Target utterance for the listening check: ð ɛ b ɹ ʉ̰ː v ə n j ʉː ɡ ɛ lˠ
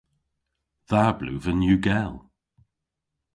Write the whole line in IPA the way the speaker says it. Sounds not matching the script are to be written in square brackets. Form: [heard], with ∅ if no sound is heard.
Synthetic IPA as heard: ð [a] b [l] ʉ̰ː v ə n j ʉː ɡ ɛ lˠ